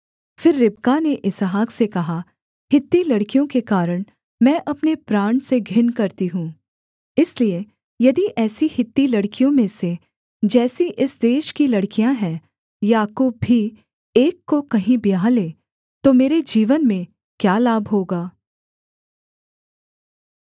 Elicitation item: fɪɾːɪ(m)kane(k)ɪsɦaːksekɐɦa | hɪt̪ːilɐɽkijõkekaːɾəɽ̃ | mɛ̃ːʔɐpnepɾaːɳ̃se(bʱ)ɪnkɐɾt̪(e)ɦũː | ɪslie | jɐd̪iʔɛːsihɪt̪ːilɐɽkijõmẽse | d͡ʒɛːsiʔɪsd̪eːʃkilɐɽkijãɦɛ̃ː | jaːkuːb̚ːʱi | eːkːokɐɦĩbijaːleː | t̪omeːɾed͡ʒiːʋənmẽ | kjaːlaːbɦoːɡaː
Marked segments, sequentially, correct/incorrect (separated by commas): incorrect, incorrect, incorrect, incorrect